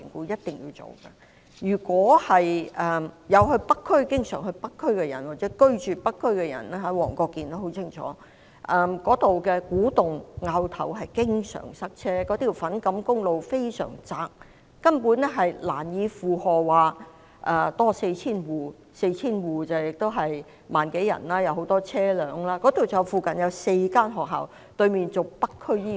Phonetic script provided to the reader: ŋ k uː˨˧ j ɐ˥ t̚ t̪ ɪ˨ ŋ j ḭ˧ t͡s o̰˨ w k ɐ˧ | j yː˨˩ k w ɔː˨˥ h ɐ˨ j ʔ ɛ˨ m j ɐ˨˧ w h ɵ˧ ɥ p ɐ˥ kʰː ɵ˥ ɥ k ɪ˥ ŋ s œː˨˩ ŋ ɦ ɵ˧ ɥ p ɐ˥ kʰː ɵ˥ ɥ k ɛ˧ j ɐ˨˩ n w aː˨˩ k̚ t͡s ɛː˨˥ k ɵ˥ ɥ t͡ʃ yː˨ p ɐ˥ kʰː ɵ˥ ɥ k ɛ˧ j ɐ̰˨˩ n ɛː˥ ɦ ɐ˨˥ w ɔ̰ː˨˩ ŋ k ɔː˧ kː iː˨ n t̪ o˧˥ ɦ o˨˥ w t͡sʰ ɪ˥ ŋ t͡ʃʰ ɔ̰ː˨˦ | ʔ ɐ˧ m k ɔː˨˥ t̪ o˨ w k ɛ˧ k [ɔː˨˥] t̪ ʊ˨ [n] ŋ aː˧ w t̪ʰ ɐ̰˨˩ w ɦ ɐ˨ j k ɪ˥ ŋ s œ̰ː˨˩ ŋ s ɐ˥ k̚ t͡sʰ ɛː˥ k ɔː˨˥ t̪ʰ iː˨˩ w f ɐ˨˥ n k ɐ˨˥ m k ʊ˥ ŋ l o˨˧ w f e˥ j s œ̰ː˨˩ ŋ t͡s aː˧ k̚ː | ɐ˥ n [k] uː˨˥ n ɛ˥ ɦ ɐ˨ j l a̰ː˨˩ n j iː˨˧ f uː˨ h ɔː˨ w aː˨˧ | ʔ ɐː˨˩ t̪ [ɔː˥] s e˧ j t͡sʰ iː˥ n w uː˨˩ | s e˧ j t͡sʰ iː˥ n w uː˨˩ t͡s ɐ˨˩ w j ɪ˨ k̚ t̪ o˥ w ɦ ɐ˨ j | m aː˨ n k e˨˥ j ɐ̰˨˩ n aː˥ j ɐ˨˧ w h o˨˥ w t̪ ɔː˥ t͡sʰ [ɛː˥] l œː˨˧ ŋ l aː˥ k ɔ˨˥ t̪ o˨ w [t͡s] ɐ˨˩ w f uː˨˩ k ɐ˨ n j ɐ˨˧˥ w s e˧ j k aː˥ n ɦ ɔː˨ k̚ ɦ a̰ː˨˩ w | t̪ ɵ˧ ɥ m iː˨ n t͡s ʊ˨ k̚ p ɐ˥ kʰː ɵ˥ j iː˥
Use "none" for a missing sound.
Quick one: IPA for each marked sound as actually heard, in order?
uː˨˥, ŋ, p, ɔː˥, ɛː˥, t͡s

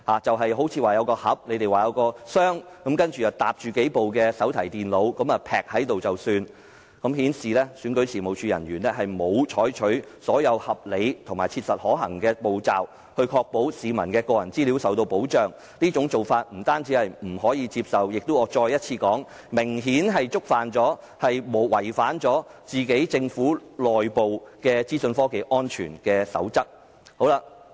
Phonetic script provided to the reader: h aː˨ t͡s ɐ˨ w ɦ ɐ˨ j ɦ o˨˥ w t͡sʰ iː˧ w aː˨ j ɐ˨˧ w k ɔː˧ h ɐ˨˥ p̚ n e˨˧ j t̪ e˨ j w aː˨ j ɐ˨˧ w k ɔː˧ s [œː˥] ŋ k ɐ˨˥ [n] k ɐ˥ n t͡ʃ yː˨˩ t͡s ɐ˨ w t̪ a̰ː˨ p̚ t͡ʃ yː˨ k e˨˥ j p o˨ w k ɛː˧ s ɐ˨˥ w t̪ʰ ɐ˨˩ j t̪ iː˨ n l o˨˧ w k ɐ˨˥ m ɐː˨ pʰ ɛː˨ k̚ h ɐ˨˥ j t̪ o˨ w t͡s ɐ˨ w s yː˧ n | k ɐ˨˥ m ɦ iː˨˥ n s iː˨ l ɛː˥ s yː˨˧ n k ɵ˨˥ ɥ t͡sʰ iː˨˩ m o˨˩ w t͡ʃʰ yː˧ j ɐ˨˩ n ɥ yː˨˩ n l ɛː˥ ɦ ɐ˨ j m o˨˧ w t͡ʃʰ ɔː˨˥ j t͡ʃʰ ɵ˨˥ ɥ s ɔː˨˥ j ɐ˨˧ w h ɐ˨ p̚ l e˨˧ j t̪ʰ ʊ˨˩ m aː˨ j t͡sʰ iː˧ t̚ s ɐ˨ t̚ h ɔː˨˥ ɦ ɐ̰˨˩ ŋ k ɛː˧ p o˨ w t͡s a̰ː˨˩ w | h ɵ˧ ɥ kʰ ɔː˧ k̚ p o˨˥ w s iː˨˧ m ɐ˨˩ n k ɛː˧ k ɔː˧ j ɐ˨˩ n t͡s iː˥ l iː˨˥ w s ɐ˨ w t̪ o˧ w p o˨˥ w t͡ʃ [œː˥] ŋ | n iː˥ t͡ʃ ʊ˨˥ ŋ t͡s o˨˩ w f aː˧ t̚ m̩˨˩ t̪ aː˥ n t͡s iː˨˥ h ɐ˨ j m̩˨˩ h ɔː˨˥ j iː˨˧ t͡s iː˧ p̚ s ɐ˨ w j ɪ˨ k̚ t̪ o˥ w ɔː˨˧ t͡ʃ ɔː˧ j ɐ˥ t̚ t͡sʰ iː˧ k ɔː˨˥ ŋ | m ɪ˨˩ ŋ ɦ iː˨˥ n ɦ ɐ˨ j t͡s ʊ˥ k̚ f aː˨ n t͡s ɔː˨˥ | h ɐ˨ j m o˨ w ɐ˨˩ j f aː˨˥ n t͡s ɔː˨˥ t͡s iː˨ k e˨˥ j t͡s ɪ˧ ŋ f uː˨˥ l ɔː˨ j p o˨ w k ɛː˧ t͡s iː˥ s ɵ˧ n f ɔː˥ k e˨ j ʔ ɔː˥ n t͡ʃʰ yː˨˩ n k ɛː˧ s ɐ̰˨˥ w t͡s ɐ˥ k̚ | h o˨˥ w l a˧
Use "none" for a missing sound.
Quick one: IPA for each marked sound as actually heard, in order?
œː˥, m, œː˨

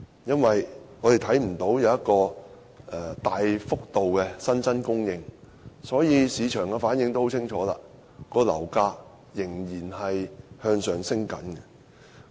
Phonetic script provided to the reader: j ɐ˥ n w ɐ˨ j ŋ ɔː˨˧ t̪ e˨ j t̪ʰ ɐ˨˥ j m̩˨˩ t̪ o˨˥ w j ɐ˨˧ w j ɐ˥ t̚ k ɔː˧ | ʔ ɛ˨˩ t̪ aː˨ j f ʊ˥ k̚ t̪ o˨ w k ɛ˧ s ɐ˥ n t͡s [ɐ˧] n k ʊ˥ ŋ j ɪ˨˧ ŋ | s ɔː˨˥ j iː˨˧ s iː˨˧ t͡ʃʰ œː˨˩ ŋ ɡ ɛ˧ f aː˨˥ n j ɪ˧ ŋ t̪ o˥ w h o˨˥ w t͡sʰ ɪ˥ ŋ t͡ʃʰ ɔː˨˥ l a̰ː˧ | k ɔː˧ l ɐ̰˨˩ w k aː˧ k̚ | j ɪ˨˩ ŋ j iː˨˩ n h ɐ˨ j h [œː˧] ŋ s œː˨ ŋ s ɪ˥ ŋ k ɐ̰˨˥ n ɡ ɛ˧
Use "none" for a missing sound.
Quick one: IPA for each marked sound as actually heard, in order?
ɐ˥, œː˧

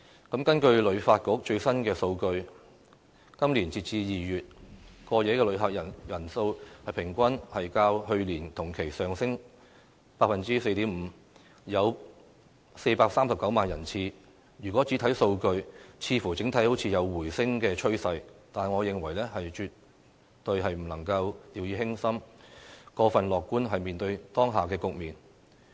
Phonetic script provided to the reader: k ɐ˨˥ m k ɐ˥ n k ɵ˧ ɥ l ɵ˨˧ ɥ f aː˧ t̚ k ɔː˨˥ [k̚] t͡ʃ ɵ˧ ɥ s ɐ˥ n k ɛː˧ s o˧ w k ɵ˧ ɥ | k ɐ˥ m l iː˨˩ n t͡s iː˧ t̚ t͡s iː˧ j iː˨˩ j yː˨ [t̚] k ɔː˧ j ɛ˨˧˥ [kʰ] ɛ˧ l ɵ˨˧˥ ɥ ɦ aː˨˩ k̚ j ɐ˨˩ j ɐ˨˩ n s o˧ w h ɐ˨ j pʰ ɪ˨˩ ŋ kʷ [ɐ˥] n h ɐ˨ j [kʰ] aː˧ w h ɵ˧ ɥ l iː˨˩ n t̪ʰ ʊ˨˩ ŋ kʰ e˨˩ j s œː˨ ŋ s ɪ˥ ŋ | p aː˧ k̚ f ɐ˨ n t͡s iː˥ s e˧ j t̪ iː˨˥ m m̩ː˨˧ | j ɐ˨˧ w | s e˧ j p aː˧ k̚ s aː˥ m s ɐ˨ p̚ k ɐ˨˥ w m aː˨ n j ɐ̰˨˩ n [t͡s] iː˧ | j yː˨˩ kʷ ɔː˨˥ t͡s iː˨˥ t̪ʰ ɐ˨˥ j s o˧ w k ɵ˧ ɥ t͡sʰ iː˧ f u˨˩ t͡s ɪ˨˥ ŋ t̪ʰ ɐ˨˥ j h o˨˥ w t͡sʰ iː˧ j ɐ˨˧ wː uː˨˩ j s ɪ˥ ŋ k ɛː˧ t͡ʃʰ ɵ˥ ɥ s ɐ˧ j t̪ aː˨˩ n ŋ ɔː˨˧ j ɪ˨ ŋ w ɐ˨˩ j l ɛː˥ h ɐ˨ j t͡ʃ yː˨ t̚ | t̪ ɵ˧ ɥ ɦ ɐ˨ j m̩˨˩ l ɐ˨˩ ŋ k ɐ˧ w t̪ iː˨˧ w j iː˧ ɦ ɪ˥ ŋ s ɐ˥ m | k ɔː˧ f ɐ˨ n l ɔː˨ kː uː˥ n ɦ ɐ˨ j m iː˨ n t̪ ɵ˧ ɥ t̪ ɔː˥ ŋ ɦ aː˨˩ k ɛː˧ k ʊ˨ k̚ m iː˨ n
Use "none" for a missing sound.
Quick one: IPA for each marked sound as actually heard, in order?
k̚, t̚, k, ɐ˥, k, t͡sʰ

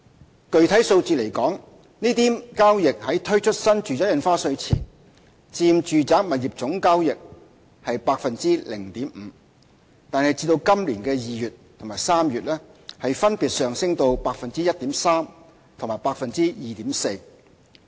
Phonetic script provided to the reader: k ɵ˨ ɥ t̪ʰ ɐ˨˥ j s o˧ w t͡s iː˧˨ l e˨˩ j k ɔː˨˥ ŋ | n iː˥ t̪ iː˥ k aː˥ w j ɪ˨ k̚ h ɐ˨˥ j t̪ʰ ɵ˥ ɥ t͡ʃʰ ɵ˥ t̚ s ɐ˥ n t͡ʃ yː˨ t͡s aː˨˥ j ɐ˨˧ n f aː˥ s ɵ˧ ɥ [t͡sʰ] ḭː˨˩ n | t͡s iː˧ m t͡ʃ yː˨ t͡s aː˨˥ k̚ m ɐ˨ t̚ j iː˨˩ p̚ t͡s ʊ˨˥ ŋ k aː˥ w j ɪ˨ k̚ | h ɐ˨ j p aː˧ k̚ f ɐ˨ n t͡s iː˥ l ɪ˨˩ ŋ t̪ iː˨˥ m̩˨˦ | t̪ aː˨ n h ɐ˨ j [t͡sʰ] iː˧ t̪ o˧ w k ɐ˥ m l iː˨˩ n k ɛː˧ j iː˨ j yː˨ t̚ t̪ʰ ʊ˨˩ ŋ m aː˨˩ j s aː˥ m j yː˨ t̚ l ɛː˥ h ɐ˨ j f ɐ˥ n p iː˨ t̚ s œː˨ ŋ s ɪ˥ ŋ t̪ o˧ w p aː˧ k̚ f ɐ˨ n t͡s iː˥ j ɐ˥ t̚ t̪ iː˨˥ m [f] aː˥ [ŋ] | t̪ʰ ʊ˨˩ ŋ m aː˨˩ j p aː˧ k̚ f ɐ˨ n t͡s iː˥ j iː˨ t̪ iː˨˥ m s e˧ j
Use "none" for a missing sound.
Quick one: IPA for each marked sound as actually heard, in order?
t͡sʰ, t͡s, s, m

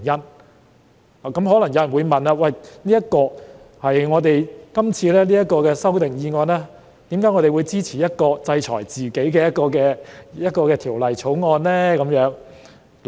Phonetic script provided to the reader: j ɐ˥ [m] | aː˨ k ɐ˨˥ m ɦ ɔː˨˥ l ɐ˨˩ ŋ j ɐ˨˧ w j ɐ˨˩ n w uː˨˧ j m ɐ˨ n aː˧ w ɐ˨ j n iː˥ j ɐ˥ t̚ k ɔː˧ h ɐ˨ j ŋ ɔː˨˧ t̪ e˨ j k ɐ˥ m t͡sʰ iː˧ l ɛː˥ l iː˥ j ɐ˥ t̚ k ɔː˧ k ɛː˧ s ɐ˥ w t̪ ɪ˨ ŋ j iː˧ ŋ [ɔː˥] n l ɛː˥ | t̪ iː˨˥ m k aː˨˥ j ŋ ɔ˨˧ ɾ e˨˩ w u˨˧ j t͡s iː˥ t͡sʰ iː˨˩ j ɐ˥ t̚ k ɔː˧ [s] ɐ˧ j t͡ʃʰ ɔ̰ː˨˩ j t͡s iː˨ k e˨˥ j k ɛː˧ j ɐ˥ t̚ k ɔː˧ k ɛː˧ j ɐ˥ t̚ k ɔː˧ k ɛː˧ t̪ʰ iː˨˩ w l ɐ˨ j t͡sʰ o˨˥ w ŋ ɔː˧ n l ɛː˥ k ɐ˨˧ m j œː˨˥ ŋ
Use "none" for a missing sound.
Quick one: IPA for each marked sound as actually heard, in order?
n, ɔː˧, t͡s

